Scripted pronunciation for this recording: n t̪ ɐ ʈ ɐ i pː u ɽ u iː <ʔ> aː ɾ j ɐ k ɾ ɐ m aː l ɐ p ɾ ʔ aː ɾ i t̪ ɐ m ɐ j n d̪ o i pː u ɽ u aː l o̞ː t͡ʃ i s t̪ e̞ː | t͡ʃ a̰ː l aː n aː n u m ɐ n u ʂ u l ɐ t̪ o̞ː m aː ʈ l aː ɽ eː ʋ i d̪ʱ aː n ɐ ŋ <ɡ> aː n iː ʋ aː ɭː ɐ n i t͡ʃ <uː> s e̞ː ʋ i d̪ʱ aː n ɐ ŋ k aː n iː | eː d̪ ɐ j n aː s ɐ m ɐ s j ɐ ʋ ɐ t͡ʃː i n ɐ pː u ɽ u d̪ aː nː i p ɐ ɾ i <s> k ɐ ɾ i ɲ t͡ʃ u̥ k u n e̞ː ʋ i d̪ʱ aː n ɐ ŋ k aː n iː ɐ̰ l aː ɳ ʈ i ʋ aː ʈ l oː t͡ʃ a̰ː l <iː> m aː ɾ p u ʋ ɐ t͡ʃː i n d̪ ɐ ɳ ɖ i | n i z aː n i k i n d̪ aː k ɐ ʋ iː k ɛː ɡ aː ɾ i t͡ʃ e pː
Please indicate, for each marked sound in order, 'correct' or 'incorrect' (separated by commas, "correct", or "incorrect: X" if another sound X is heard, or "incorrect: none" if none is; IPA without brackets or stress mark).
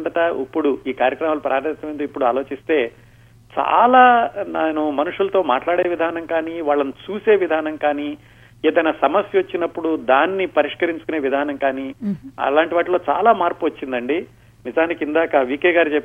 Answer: incorrect: k, incorrect: k, correct, incorrect: ʂ, incorrect: aː